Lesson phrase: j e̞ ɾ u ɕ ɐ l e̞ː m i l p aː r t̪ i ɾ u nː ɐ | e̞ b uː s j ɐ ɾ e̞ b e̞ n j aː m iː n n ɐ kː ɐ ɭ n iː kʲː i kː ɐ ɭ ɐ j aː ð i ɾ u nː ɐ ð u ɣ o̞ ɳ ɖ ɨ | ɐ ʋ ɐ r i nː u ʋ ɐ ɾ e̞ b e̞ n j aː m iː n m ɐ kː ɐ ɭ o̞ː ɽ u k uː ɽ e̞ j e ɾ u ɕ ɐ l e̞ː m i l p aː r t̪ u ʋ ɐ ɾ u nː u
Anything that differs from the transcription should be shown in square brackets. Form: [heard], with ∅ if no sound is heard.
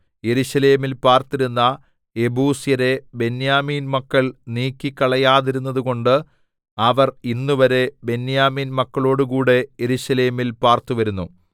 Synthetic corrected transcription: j e̞ ɾ u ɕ ɐ l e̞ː m i l p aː r t̪ i ɾ u nː ɐ | e̞ b uː s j ɐ ɾ e̞ b e̞ n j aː m iː n [m] ɐ kː ɐ ɭ n iː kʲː i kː ɐ ɭ ɐ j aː ð i ɾ u nː ɐ ð u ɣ o̞ ɳ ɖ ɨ | ɐ ʋ ɐ r i nː u ʋ ɐ ɾ e̞ b e̞ n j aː m iː n m ɐ kː ɐ ɭ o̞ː ɽ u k uː ɽ e̞ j e ɾ u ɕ ɐ l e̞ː m i l p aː r t̪ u ʋ ɐ ɾ u nː u